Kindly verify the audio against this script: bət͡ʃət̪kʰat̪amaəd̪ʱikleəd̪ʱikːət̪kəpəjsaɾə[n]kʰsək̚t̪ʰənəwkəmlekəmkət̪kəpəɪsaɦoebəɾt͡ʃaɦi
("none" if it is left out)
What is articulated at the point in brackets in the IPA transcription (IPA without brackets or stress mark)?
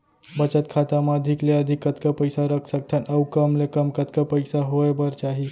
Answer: none